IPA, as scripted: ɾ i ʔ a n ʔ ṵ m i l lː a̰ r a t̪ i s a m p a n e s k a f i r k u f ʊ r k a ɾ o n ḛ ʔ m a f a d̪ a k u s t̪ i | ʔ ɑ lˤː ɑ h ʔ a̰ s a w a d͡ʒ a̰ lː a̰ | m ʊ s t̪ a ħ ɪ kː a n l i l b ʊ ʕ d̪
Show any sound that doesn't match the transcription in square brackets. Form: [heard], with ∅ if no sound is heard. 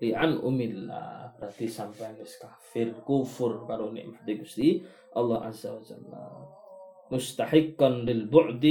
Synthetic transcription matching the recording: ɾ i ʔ a n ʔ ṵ m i l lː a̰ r a t̪ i s a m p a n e s k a f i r k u f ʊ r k a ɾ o n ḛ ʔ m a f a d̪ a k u s t̪ i | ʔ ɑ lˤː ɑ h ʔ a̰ [z] a w a d͡ʒ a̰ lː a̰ | m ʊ s t̪ a ħ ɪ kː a n l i l b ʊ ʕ d̪